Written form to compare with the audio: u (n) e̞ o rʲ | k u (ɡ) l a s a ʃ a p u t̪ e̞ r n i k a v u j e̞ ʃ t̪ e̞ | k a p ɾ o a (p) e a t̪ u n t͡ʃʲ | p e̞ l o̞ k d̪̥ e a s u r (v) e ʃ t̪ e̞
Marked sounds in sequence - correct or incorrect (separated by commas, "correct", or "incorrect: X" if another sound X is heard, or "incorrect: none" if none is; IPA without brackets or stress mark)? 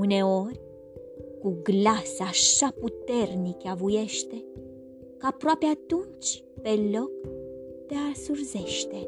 correct, correct, correct, incorrect: z